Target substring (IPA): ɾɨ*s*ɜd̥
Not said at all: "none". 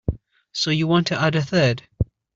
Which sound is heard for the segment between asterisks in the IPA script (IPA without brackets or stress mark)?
θ